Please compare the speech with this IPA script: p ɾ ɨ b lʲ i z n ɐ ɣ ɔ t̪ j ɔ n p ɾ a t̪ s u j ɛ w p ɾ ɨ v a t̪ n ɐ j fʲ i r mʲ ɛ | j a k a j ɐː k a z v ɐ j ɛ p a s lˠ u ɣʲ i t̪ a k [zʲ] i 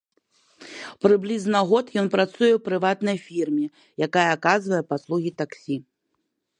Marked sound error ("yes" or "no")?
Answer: yes